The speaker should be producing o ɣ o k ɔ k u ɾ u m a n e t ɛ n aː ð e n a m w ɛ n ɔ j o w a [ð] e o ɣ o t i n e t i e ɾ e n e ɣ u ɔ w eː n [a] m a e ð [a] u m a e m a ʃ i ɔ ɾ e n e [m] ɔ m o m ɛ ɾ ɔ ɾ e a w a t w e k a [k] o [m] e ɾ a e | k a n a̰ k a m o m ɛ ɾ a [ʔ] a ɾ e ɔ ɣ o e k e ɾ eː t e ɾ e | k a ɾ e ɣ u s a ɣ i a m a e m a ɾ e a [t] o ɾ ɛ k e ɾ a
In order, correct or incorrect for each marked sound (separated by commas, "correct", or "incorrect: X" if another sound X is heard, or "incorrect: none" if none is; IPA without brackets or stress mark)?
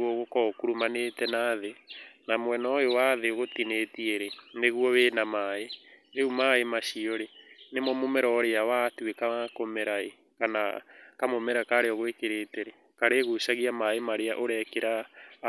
correct, correct, incorrect: e, correct, correct, correct, incorrect: k, incorrect: ʔ